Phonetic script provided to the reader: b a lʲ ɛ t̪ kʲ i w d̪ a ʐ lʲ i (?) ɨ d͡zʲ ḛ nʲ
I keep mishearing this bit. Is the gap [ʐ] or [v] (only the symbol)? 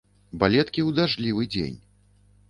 v